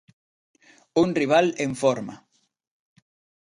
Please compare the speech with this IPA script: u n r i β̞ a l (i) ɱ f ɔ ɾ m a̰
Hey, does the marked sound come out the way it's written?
no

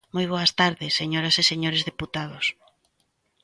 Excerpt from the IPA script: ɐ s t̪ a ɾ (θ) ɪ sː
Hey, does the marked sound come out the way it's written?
no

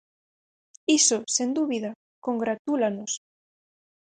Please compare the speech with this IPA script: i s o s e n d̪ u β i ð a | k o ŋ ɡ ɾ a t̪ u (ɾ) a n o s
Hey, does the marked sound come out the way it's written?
no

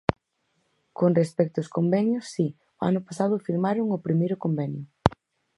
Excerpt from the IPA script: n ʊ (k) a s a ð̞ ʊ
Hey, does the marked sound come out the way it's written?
no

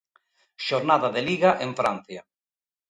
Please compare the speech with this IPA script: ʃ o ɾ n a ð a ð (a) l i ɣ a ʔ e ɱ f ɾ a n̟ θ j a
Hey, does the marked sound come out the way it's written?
no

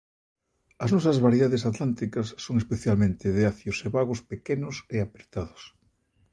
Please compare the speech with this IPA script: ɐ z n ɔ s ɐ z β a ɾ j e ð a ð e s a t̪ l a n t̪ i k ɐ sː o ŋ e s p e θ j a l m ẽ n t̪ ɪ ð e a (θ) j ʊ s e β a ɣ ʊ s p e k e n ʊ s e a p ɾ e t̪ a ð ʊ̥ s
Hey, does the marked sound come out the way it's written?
yes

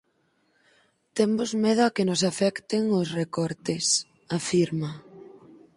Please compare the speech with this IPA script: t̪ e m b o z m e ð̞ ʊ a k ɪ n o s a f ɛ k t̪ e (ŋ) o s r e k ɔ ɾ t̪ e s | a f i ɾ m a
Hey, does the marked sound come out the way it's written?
yes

